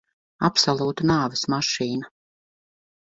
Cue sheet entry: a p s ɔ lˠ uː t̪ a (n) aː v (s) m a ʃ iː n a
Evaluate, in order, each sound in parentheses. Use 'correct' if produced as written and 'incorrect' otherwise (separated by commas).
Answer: correct, correct